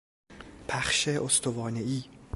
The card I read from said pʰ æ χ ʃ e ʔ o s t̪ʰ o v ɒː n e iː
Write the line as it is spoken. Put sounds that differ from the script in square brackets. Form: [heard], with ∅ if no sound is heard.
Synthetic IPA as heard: pʰ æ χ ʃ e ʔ o s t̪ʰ o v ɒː n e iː